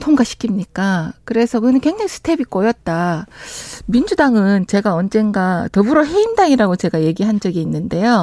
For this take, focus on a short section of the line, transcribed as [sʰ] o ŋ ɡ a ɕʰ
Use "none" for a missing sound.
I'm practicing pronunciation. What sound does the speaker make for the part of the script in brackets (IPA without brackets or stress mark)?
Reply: tʰ